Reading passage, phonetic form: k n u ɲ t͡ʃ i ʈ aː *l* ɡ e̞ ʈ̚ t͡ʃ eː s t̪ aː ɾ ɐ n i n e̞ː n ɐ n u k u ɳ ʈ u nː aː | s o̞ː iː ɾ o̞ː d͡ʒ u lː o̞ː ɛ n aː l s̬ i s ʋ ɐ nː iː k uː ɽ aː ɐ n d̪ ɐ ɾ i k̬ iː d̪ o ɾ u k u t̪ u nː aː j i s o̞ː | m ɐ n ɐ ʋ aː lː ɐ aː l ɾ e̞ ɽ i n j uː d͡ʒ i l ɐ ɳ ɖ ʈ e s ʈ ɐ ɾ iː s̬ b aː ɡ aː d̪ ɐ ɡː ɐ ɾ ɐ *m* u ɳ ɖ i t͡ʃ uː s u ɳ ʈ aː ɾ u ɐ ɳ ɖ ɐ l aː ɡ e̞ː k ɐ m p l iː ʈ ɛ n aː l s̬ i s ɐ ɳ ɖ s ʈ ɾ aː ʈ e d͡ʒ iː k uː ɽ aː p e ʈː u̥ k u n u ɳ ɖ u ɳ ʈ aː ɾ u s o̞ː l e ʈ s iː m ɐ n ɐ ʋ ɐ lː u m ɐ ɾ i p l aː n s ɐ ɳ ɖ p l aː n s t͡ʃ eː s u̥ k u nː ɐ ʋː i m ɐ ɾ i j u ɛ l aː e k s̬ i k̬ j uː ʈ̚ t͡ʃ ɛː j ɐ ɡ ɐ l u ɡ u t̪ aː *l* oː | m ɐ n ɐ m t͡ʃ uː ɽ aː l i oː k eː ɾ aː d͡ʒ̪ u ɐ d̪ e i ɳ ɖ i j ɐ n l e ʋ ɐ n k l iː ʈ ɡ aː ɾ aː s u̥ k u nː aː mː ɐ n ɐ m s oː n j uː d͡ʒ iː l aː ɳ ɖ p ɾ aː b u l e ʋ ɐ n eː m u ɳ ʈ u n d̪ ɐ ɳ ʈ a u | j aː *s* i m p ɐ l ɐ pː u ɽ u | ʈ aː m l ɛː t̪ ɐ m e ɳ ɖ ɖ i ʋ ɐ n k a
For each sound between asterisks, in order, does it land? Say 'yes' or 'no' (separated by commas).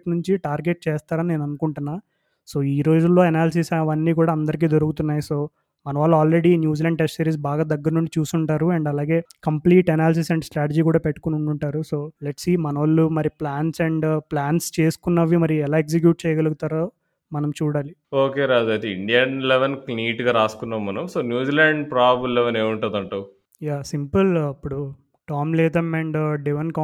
no, no, no, yes